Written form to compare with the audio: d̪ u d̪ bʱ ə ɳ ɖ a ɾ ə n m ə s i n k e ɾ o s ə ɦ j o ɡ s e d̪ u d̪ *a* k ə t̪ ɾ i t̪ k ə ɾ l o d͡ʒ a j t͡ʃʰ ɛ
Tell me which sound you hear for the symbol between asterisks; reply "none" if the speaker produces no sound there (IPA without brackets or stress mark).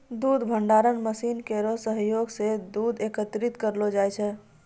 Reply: e